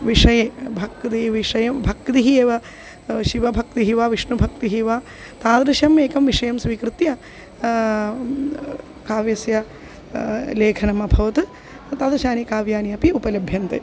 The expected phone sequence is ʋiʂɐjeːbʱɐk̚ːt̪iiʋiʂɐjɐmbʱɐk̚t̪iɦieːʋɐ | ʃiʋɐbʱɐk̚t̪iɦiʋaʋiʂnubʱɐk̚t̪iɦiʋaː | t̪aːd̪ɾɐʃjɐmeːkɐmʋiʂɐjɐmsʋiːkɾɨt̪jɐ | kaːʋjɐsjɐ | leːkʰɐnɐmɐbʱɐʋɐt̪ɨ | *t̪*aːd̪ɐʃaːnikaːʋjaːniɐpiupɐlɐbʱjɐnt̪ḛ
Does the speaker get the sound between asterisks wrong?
no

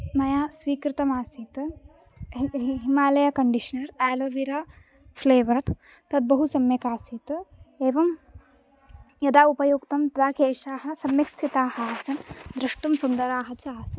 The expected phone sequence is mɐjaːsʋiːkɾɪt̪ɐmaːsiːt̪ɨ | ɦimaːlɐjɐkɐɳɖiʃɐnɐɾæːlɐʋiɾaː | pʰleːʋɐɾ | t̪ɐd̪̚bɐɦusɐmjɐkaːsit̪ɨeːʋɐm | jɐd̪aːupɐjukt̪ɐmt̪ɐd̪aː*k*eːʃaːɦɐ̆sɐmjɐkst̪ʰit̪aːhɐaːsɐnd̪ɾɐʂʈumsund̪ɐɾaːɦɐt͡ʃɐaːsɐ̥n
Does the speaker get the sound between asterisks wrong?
no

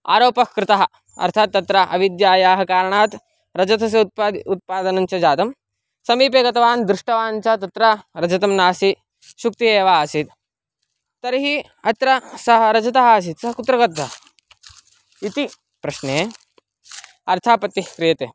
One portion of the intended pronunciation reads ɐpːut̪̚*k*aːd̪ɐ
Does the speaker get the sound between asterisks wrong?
yes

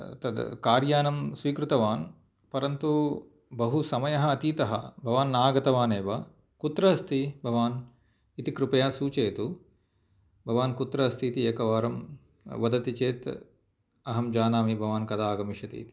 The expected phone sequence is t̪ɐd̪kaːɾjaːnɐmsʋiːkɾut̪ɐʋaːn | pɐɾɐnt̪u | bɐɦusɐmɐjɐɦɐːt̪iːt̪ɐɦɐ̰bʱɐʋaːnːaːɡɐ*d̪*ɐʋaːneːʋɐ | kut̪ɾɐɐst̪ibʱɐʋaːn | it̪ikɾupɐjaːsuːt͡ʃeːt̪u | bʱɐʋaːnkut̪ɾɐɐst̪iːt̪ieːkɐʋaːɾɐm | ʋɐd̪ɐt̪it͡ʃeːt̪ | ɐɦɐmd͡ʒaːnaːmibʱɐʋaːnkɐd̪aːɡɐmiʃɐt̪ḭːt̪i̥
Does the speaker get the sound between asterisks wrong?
yes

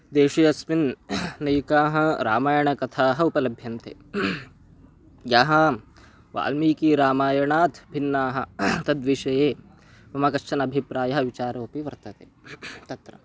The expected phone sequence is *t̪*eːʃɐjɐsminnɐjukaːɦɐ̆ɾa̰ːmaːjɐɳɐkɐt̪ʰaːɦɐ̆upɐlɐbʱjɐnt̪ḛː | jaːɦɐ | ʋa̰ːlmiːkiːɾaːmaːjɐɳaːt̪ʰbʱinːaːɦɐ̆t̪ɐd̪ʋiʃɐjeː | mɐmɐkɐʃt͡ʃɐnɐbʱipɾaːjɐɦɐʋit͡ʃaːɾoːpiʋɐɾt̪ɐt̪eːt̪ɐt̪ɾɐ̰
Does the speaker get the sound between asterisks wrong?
yes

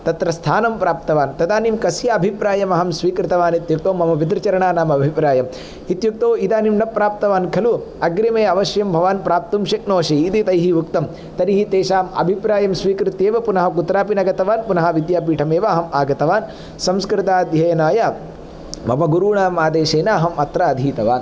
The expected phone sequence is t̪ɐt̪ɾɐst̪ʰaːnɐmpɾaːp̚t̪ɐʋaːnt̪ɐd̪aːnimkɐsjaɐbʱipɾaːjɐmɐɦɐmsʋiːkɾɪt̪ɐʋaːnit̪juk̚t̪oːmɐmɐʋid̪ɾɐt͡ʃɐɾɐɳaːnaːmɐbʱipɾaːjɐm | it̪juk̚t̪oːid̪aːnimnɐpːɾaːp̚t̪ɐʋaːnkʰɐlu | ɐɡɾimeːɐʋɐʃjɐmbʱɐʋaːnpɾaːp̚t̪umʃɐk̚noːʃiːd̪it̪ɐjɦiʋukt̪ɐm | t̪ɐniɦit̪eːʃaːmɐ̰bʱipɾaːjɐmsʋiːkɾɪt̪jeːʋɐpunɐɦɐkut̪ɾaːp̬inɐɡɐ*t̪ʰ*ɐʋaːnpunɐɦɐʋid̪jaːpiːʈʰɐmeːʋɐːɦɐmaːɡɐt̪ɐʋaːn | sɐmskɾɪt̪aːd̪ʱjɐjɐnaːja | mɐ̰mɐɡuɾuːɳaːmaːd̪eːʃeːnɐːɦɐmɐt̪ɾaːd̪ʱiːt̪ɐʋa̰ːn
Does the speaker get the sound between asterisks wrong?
yes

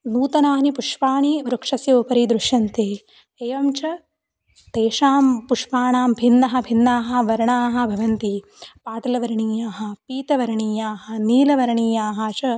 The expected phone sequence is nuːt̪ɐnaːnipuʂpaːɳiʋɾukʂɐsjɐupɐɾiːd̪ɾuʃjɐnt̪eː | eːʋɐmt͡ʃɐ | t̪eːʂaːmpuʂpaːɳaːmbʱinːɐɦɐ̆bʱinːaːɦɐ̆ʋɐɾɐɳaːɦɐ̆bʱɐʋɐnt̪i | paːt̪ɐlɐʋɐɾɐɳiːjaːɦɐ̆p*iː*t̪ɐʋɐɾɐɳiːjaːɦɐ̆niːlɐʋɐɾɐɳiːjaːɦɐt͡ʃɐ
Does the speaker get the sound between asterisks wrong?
no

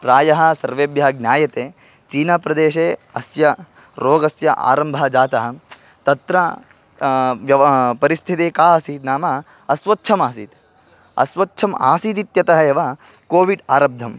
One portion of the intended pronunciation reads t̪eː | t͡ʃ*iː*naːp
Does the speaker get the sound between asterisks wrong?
no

